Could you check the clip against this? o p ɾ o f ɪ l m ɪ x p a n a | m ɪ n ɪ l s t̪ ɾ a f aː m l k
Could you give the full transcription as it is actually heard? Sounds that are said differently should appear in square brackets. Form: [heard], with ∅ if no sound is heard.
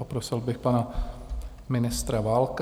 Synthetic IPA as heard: o p ɾ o [s] ɪ l [b] ɪ x p a n a | m ɪ n ɪ [∅] s t̪ ɾ a [v] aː [∅] l k